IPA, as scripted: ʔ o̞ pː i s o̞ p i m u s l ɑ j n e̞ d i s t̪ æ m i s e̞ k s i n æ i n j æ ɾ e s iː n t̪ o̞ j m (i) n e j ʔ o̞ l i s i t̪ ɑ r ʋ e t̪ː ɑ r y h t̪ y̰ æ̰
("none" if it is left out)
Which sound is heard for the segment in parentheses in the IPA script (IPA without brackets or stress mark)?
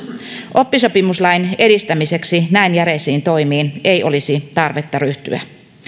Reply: iː